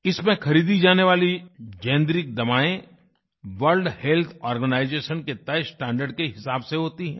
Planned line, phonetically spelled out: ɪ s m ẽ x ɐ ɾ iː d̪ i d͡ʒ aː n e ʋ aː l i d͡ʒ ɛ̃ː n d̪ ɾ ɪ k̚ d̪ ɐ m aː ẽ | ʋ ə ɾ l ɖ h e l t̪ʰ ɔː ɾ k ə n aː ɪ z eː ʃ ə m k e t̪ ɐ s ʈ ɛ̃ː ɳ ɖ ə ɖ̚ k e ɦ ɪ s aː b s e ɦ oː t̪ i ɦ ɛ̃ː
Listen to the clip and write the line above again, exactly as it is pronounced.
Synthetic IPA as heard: ɪ s m ẽ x ɐ ɾ iː d̪ i d͡ʒ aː n e ʋ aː l i d͡ʒ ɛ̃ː n d̪ ɾ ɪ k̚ d̪ ɐ m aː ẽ | ʋ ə ɾ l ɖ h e l t̪ʰ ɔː ɾ ɡ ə n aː ɪ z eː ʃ ə n k e t̪ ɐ s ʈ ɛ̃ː ɳ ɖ ə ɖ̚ k e ɦ ɪ s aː b s e ɦ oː t̪ i ɦ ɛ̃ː